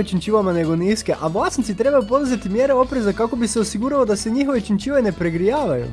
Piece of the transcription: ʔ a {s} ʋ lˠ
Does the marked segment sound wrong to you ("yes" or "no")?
yes